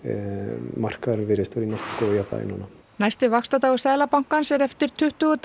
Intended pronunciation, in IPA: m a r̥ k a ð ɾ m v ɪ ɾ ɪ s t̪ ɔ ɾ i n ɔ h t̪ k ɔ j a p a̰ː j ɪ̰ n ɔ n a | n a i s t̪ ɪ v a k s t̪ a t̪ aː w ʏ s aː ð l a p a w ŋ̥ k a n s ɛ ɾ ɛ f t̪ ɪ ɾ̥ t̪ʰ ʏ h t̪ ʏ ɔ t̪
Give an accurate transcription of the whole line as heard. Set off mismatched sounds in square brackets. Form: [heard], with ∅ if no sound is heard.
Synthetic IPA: m a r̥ k a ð ɾ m v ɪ ɾ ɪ s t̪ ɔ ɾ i n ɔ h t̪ k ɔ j a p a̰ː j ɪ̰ n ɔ n a | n a [j] s t̪ ɪ v a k s t̪ a t̪ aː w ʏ s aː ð l a p a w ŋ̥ k a n s ɛ ɾ ɛ f t̪ ɪ ɾ̥ t̪ʰ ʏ h t̪ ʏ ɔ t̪